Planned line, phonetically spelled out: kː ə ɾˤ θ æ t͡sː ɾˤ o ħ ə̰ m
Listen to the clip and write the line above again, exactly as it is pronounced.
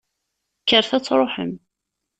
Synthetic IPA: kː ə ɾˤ θ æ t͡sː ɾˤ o ħ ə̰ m